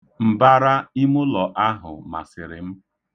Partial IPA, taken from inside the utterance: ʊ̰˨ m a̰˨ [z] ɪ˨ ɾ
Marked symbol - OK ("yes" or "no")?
no